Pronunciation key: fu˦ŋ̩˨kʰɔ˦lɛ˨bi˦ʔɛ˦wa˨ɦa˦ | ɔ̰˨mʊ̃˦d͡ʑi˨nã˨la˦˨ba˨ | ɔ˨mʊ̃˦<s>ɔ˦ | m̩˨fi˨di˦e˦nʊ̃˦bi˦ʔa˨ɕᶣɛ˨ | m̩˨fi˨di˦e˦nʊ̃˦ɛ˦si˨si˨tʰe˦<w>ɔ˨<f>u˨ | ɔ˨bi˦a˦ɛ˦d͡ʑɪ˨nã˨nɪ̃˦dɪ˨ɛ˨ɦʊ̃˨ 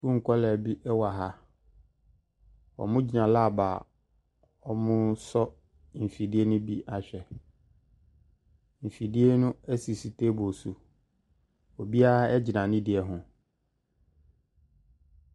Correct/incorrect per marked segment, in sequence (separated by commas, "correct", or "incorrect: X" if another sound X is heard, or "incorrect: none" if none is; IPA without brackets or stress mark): correct, incorrect: b, incorrect: s